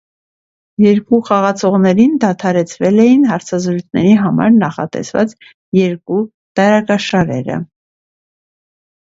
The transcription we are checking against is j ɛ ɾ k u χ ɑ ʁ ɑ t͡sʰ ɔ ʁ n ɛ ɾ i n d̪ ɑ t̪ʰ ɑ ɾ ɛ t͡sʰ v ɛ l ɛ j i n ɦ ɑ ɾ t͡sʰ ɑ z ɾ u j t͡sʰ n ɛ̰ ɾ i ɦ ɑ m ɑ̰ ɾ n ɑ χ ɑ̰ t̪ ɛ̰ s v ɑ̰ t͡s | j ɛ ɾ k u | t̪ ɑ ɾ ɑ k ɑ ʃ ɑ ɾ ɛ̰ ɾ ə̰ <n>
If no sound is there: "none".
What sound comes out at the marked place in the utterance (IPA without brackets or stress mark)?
none